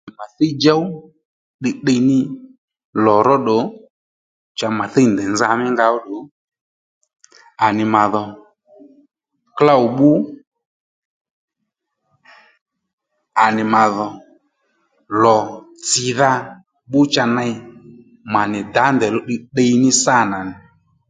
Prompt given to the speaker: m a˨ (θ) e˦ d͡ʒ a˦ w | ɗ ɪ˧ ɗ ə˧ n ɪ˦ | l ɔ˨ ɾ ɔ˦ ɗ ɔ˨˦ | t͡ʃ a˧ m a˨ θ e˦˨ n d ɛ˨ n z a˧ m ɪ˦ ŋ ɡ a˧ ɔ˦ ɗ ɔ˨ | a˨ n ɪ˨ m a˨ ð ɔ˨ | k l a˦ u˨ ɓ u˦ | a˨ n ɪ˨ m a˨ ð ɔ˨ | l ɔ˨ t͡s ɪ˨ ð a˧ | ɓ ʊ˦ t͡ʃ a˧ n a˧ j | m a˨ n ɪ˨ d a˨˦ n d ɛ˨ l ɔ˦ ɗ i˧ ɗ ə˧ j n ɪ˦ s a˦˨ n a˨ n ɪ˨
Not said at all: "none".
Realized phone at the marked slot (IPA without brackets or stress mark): θ